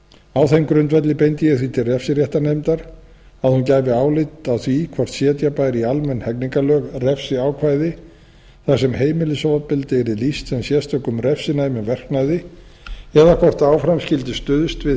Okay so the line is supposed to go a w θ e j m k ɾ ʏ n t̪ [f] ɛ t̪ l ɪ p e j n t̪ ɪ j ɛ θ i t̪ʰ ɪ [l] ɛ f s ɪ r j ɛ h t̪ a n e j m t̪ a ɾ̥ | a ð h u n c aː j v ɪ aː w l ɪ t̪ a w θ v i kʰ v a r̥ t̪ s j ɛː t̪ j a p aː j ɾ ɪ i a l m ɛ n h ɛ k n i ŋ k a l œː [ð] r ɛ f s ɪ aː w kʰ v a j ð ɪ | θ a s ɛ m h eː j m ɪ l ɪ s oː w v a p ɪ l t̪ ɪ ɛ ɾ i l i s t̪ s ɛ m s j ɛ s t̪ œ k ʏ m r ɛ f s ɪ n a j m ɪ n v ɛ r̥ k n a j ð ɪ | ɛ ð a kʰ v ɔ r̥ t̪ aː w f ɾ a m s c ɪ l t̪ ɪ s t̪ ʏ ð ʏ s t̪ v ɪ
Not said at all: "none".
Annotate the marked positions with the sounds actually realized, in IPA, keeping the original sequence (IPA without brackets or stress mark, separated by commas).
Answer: v, r, ɣ